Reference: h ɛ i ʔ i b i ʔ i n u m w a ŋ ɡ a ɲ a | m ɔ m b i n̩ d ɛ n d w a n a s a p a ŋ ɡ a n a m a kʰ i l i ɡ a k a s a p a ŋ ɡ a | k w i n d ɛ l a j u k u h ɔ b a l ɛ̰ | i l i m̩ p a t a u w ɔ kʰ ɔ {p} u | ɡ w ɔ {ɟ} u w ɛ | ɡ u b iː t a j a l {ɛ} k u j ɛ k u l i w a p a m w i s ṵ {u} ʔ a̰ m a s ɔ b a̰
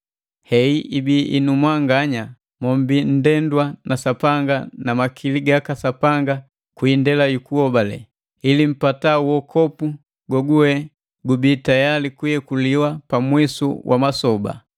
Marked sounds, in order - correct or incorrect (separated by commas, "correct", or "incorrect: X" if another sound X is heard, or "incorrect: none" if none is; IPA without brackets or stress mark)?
correct, incorrect: ɡ, incorrect: i, incorrect: w